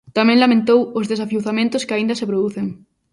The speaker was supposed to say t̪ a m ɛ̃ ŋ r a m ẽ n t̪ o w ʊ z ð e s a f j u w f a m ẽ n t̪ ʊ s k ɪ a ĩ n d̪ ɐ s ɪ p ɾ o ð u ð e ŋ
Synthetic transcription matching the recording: t̪ a m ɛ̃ ŋ l a m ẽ n t̪ o w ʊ z ð e s a f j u w θ a m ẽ n t̪ ʊ s k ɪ a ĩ n d̪ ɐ s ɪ p ɾ o ð u θ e ŋ